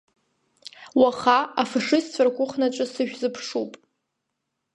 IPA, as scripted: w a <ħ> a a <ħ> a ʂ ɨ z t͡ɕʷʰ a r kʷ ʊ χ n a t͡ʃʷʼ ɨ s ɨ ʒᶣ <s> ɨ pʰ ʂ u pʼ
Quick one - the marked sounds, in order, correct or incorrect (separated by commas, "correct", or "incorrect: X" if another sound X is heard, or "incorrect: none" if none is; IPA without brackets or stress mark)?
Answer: incorrect: χ, incorrect: f, incorrect: z